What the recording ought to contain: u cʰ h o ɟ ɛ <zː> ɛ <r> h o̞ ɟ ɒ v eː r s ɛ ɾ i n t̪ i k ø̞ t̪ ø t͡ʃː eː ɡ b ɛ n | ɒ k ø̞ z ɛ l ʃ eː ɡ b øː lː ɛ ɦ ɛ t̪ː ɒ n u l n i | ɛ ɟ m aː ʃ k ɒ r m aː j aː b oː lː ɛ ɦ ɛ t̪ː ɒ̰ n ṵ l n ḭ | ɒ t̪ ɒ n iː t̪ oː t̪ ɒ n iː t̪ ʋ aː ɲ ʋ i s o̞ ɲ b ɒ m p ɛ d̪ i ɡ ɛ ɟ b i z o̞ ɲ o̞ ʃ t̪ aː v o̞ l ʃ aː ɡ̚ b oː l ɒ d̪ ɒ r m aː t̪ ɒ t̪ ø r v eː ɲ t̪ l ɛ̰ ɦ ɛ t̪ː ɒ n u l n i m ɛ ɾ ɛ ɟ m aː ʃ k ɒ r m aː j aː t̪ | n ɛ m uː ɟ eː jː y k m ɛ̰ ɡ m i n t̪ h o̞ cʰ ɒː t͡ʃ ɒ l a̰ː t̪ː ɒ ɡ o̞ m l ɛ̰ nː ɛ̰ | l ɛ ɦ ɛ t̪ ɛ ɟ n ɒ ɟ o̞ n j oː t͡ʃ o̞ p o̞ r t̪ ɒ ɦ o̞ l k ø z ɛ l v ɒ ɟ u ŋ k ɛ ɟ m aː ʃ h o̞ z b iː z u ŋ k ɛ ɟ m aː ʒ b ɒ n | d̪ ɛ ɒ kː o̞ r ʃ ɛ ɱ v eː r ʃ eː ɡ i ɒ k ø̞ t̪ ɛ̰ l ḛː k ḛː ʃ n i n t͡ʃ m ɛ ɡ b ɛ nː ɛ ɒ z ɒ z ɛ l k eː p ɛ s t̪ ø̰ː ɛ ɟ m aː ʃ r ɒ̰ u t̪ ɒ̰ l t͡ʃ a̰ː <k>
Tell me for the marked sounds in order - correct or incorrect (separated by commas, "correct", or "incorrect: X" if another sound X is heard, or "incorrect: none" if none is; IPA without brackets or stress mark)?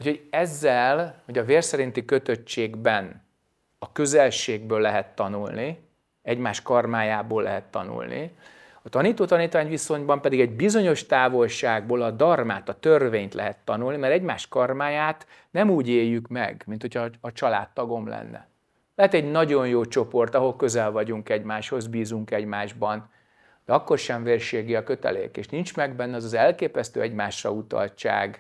correct, incorrect: l, incorrect: ɡ